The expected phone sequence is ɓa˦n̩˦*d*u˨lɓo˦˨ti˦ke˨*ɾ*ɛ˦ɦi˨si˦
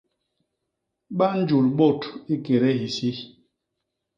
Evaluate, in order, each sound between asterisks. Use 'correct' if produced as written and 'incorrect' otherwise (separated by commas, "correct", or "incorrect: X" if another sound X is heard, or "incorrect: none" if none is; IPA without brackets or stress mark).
incorrect: d͡ʒ, correct